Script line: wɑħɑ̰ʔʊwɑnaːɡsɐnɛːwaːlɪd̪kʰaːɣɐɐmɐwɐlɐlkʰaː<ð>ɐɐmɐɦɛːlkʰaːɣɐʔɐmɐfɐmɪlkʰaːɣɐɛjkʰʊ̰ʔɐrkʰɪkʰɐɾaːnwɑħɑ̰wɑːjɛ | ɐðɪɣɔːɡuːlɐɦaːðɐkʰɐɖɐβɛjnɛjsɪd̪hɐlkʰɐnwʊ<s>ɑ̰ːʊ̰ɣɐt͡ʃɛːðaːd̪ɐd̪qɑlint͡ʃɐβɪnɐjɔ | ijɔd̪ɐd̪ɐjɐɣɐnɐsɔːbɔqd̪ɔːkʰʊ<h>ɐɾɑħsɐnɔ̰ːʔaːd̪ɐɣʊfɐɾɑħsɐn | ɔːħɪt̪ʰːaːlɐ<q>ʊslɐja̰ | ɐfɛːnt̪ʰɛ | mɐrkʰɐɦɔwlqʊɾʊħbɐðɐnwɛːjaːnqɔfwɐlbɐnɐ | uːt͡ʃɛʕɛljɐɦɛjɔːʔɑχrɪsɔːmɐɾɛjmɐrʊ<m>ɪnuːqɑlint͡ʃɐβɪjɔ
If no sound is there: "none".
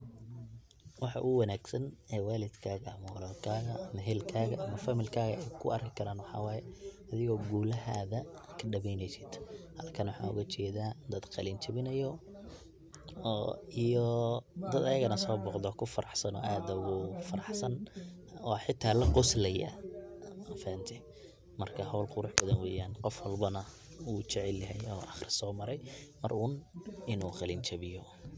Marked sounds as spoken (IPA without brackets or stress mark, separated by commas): ɣ, ħ, f, q, n